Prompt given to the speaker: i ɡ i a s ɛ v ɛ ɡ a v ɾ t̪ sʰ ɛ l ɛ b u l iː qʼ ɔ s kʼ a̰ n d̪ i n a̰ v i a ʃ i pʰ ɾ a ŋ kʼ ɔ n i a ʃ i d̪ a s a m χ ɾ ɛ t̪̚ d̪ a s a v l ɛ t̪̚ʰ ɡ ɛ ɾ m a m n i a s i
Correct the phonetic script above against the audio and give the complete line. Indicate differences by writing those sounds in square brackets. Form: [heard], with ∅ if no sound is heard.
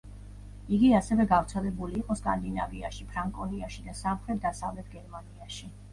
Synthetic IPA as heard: i ɡ i a s ɛ v ɛ ɡ a v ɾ t̪ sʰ ɛ l ɛ b u l iː qʼ ɔ s kʼ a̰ n d̪ i n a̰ v i a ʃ i pʰ ɾ a ŋ kʼ ɔ n i a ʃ i d̪ a s a m χ ɾ ɛ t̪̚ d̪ a s a v l ɛ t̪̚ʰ ɡ ɛ ɾ m a [∅] n i a [ʃ] i